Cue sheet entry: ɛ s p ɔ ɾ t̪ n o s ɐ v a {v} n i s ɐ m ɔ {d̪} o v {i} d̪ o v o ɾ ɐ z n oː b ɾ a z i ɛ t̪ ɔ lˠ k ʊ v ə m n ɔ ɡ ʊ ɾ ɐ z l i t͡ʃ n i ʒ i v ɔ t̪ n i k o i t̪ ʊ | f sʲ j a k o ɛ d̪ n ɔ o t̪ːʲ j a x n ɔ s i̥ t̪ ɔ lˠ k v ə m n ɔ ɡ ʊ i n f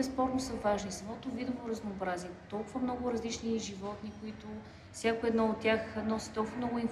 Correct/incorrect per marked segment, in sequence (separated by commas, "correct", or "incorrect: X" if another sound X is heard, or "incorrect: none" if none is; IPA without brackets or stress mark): incorrect: ʒ, incorrect: t̪, correct